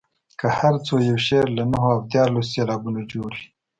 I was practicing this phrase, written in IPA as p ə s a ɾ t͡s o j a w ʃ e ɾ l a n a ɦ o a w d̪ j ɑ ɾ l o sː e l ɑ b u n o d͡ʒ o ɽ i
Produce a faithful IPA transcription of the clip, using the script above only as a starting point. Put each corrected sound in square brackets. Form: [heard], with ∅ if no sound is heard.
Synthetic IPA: [k] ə [h] a ɾ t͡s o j a w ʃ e ɾ l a n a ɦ o a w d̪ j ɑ ɾ l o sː e l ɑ b u n o d͡ʒ o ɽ i